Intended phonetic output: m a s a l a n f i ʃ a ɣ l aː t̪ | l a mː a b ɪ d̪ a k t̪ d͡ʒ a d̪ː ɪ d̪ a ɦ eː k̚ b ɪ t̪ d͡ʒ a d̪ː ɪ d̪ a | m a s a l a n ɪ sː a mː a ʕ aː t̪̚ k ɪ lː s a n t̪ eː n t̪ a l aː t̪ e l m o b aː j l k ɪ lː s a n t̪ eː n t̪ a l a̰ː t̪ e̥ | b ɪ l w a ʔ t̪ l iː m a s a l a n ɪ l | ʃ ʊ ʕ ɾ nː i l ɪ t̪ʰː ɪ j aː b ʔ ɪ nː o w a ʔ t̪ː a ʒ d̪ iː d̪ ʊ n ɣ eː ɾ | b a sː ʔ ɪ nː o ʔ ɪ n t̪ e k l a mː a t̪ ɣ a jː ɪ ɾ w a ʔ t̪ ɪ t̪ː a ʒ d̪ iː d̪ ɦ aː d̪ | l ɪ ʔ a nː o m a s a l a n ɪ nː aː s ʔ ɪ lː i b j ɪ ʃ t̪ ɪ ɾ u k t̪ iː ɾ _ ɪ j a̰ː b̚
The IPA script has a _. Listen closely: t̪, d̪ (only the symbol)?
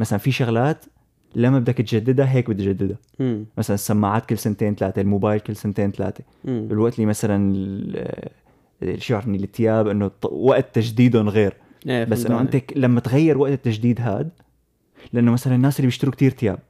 t̪